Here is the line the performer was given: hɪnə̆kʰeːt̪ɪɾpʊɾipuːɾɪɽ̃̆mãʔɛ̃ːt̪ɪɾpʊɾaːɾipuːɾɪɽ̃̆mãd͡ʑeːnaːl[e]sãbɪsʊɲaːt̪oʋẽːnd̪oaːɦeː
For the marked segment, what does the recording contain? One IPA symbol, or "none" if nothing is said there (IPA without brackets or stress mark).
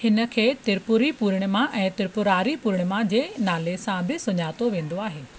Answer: e